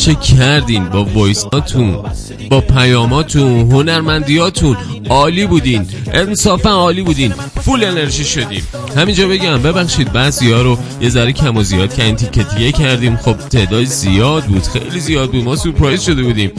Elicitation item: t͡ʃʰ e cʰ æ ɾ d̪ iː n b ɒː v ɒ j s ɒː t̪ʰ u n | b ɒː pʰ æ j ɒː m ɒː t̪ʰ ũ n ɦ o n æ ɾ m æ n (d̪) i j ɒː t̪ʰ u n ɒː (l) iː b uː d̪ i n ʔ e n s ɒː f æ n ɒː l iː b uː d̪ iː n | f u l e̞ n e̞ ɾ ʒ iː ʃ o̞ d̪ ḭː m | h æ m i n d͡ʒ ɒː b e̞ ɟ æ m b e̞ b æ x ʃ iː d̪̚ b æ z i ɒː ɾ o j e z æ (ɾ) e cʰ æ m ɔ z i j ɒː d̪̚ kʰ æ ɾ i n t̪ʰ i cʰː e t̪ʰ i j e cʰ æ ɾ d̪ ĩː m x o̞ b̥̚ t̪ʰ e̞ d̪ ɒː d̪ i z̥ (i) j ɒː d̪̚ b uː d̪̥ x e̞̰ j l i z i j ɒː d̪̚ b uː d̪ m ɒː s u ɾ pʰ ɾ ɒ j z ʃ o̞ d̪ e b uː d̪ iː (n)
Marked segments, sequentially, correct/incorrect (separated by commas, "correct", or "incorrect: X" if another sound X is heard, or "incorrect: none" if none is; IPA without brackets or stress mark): correct, correct, correct, correct, incorrect: m